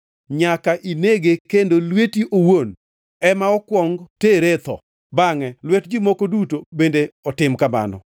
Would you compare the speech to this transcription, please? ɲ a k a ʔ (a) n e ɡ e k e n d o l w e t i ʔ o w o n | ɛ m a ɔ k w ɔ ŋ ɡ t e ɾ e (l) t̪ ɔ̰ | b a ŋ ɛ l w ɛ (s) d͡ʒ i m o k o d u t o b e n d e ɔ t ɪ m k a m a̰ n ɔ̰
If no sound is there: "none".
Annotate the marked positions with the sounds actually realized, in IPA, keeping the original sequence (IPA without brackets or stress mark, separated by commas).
i, none, t